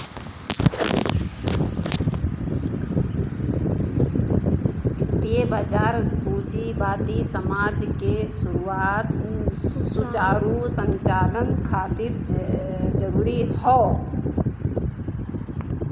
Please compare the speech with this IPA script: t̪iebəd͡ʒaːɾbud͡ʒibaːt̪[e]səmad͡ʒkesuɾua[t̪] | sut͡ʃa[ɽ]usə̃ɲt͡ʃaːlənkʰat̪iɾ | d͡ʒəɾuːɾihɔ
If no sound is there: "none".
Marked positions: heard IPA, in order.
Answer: i, t̪, ɾ

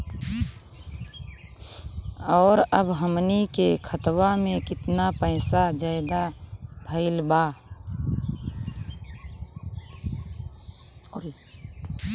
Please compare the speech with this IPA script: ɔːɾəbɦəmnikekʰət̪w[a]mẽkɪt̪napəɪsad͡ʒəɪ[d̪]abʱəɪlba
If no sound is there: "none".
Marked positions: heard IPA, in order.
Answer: a, d̪

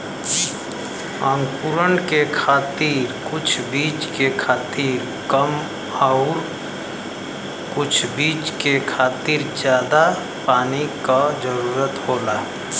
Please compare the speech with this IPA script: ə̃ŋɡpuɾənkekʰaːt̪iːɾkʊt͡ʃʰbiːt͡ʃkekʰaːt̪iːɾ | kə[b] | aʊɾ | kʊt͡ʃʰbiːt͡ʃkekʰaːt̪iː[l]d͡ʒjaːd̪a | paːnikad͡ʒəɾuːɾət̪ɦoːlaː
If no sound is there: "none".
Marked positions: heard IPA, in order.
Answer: m, ɾ

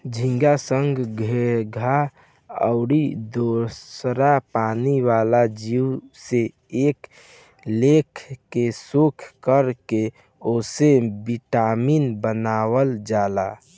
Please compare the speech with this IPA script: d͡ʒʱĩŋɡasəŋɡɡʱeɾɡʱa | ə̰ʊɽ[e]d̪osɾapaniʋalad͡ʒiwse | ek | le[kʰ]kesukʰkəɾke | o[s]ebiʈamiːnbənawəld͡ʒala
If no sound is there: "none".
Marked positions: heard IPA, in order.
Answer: i, kʰ, s

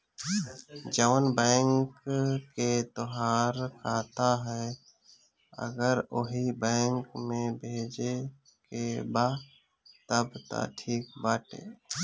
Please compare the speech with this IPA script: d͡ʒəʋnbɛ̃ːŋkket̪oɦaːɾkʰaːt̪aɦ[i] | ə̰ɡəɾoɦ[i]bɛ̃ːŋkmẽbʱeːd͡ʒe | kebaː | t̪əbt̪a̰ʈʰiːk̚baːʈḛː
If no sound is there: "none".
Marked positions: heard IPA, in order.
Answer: ɛ, i

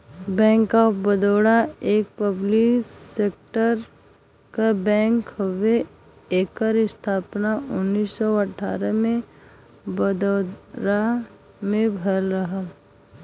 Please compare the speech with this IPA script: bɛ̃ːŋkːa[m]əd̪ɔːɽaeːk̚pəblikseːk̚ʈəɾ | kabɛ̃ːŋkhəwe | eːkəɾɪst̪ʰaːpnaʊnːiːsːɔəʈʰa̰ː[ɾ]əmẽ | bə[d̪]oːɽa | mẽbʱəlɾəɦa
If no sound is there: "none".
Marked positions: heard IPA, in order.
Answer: b, ɾ, d̪

